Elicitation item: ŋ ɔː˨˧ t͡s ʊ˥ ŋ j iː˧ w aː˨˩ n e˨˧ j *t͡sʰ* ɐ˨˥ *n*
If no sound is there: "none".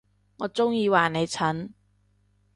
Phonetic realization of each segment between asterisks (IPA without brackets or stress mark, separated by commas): t͡sʰ, n